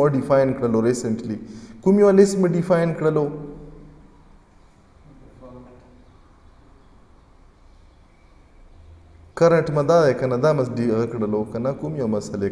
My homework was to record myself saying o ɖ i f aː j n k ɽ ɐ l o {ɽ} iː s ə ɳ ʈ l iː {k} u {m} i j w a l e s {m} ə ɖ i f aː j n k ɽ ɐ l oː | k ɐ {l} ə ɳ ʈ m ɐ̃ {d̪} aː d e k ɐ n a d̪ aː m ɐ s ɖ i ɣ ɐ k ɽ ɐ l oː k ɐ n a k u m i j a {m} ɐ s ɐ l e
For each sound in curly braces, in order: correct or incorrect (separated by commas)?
incorrect, correct, correct, correct, incorrect, correct, correct